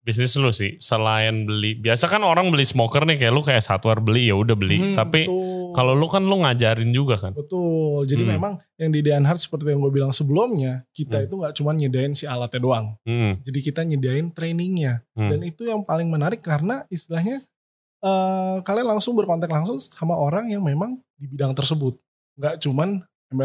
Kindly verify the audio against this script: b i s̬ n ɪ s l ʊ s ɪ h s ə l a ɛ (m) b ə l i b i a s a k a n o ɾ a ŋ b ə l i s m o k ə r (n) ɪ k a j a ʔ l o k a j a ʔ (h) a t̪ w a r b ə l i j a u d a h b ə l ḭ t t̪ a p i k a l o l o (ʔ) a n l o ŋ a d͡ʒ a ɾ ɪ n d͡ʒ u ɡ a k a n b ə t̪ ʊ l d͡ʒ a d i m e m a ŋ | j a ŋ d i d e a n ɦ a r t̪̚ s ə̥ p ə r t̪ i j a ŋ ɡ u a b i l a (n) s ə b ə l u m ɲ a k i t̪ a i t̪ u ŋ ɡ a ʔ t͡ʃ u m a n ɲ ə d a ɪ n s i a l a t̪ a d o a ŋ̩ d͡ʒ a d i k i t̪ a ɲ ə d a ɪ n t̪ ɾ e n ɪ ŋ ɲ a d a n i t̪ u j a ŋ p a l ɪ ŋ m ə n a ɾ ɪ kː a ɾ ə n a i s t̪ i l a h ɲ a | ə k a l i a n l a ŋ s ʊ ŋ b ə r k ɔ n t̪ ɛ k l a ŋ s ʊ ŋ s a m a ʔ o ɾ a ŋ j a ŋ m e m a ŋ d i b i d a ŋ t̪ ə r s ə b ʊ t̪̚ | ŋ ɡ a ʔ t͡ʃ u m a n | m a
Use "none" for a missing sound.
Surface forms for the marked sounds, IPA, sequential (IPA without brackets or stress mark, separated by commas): n, n, s, k, ŋ